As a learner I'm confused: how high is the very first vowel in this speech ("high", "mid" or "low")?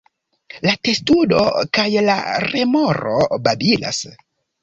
low